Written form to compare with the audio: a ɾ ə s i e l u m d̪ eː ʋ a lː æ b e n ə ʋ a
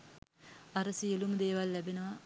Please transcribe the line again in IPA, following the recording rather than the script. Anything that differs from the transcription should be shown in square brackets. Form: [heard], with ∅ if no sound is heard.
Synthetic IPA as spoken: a ɾ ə s i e l u m d̪ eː ʋ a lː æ b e n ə ʋ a